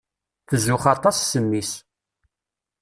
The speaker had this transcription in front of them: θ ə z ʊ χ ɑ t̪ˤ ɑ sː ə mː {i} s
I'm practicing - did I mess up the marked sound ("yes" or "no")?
no